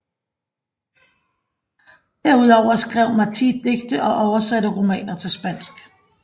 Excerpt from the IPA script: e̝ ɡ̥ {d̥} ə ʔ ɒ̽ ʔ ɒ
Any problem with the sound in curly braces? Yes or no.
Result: no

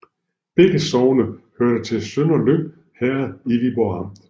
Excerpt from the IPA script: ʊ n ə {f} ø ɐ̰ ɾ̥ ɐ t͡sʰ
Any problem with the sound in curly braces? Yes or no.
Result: yes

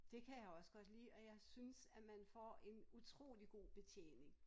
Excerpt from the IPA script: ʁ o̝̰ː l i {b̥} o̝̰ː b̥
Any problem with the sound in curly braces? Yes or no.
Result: yes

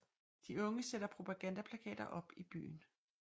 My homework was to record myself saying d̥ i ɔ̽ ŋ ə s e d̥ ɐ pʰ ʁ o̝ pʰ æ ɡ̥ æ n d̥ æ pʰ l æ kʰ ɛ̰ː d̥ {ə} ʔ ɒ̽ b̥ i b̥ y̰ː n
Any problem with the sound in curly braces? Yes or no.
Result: yes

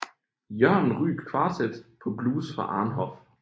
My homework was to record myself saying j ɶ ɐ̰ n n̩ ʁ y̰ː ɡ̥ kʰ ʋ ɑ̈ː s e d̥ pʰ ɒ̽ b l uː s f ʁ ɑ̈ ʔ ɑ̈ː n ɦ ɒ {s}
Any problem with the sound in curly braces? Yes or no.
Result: yes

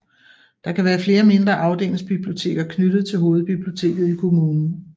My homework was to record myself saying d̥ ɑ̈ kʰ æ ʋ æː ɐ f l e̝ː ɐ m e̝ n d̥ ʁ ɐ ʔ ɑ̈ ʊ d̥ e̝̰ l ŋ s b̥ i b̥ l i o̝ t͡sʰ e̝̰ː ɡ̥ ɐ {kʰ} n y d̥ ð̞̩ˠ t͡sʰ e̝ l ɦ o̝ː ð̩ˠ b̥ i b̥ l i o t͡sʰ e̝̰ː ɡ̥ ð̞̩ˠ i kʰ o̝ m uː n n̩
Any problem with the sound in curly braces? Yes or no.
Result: no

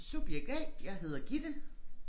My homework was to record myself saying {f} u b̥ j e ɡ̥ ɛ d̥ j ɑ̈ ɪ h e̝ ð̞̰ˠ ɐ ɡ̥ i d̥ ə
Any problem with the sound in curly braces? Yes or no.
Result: yes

